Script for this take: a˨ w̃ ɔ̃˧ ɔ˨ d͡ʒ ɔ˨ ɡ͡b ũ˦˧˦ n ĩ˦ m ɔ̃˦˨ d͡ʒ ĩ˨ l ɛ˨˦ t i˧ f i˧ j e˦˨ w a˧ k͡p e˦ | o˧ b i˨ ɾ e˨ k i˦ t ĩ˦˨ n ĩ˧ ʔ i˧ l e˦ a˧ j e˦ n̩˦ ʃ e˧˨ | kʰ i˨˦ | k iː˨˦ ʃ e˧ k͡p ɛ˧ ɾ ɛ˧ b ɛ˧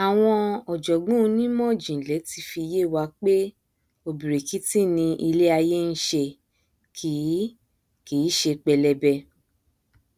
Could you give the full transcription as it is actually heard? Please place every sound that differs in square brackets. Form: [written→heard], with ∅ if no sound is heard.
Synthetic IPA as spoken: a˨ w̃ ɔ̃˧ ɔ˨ d͡ʒ ɔ˨ ɡ͡b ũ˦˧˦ n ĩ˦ m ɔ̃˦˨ d͡ʒ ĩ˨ l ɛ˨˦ t i˧ f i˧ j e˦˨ w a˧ k͡p e˦ | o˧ b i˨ ɾ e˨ k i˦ t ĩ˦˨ n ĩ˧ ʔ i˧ l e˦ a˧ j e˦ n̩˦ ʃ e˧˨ | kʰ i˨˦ | k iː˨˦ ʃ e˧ k͡p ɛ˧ [ɾ→l] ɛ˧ b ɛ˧